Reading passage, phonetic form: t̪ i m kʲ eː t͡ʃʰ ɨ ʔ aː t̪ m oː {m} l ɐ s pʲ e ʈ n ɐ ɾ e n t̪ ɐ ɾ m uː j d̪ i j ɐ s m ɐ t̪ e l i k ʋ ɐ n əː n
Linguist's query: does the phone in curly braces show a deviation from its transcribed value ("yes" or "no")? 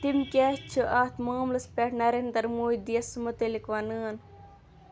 no